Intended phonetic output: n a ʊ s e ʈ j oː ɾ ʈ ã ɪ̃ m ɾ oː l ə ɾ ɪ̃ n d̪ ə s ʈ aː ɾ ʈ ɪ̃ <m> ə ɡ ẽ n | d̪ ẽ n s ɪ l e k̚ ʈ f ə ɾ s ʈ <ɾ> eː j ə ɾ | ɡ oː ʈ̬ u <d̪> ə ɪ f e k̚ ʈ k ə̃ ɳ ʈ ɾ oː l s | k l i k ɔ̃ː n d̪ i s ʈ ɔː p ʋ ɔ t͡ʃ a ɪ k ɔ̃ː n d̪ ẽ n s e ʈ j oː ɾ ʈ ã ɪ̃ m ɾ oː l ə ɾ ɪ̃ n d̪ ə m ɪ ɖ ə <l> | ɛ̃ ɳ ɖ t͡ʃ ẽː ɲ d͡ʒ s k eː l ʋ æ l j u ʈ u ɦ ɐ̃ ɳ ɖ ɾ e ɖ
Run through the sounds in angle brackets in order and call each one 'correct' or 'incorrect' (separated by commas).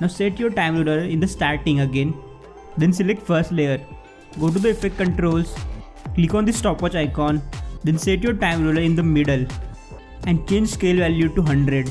incorrect, incorrect, correct, correct